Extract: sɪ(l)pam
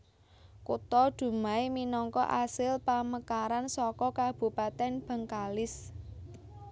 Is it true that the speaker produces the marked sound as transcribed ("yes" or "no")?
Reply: yes